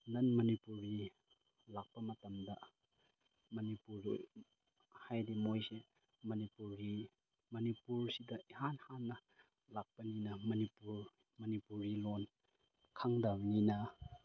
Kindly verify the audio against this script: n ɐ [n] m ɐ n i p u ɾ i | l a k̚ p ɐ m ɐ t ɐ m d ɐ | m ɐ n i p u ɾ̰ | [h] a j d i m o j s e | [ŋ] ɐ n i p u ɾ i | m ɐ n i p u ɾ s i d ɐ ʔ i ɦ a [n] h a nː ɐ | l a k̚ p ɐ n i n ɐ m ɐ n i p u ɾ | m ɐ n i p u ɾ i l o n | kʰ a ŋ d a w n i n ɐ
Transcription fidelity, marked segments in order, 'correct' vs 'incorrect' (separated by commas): correct, correct, incorrect, correct